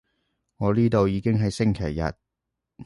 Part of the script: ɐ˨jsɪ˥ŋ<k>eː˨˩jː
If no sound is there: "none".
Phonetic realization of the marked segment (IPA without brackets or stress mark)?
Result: kʰ